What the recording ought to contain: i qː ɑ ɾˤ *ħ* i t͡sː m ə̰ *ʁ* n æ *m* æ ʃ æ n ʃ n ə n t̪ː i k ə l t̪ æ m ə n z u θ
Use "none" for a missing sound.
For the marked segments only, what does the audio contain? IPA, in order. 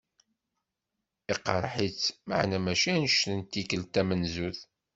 ħ, ʕ, m

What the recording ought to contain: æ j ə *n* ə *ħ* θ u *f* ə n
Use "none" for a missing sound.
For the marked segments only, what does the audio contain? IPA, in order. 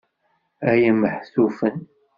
m, ħ, f

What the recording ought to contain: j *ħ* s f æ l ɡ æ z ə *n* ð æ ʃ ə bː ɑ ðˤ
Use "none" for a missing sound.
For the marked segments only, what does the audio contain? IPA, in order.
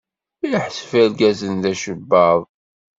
ħ, n

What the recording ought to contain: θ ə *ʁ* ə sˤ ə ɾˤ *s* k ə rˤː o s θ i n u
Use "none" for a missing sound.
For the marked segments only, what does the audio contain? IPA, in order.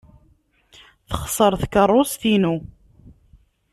χ, θ

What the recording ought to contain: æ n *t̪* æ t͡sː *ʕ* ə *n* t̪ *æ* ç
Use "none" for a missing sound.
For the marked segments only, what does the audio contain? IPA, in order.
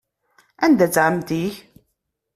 d̪, ʕ, m, i

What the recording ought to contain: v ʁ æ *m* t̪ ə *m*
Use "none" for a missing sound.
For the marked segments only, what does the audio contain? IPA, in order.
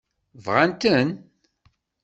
n, n

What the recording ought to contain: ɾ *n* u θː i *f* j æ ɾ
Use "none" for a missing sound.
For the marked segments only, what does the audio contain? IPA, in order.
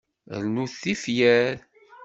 n, f

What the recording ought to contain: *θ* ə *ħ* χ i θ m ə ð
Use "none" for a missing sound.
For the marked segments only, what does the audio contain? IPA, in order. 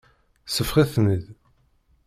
s, f

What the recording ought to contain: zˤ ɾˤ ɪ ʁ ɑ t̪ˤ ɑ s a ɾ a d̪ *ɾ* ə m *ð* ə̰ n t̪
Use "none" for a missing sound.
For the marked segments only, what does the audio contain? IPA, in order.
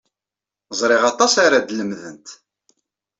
l, ð

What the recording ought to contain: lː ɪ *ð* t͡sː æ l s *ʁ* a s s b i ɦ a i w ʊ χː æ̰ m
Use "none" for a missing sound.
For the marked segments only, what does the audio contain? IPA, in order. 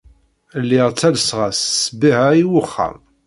ʁ, ʁ

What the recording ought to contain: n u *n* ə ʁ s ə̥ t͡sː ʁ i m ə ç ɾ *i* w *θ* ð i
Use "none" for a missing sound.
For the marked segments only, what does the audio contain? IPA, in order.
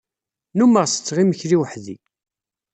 m, i, ħ

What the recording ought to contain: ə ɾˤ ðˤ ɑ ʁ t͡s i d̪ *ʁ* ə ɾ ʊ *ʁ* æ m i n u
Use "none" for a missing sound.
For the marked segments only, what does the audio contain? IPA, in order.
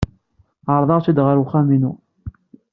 ʁ, χ

